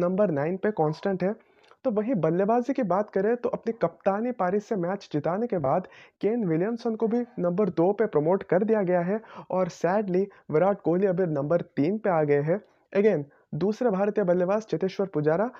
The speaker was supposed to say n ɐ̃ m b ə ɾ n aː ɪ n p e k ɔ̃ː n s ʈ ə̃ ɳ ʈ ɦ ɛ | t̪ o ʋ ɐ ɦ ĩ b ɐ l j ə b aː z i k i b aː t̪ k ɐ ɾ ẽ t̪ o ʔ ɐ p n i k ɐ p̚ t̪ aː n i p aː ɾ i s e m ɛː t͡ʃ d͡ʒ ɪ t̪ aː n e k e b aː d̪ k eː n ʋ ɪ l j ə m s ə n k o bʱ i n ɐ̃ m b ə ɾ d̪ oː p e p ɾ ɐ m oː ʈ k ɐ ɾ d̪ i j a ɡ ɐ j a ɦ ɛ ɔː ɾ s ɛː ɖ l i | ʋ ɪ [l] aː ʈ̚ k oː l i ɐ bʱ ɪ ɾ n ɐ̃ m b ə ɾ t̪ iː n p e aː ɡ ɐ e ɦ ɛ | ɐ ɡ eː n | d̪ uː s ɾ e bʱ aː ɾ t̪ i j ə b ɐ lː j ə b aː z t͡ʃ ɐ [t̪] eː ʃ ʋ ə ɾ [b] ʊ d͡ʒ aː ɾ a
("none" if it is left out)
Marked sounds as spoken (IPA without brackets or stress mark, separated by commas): ɾ, t̪, p